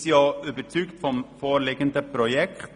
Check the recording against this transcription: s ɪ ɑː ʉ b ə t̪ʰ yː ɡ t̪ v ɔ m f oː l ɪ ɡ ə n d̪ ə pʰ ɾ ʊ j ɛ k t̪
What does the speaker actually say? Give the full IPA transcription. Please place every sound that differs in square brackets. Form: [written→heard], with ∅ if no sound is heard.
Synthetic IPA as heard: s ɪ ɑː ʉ b ə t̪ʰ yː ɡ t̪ [v→f] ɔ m f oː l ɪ ɡ ə n d̪ ə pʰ ɾ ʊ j ɛ k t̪